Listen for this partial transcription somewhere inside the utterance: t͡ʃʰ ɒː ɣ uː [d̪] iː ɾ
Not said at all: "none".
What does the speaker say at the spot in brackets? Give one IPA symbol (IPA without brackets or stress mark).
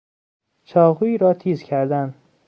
none